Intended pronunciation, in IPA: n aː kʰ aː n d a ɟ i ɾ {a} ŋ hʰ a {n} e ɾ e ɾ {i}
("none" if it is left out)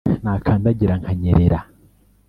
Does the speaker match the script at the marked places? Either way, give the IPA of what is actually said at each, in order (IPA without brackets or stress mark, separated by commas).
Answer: a, ɲ, a